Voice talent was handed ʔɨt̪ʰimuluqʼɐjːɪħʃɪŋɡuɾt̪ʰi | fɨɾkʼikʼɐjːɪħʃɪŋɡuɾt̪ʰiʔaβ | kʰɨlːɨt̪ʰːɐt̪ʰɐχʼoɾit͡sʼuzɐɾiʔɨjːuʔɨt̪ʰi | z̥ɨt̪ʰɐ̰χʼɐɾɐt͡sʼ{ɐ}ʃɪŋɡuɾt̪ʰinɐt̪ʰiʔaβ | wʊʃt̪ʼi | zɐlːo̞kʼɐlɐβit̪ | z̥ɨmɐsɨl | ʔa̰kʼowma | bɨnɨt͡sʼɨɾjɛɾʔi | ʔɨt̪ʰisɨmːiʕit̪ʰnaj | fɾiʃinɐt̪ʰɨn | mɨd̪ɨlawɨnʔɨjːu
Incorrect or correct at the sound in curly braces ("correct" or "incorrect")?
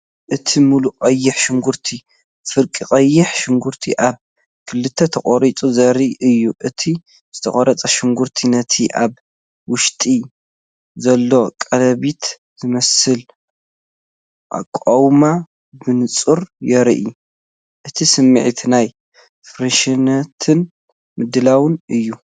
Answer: correct